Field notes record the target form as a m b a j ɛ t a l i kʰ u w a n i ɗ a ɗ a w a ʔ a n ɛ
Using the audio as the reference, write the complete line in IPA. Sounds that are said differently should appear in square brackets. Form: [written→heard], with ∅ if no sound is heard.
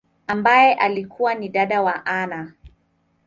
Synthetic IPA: a m b a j ɛ [t→ʔ] a l i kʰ u w a n i ɗ a ɗ a w a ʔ a n [ɛ→a]